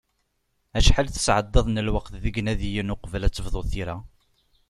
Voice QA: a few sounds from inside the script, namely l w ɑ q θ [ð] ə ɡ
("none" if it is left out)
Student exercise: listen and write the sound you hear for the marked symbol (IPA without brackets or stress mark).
ð